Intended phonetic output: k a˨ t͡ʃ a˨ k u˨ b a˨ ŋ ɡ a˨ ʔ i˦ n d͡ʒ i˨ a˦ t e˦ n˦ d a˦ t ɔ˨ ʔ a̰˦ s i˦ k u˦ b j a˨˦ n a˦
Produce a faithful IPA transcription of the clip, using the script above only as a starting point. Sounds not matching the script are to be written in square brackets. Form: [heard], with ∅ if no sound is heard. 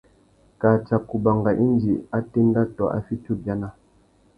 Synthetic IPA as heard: k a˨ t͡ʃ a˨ k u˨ b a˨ ŋ ɡ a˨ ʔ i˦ n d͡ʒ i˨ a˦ t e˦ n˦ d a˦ t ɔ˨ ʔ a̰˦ [f] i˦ [t] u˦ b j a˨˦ n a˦